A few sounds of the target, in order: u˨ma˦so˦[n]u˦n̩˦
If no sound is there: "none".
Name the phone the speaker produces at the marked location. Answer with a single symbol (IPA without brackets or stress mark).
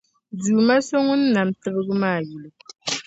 ŋ